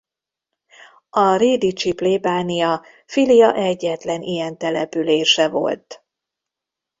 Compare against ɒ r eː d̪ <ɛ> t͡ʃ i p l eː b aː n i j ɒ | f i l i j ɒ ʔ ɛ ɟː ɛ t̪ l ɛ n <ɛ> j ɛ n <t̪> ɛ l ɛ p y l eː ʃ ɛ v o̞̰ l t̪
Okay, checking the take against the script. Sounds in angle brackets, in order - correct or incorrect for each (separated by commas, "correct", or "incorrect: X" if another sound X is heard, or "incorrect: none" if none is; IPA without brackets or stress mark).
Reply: incorrect: i, incorrect: i, correct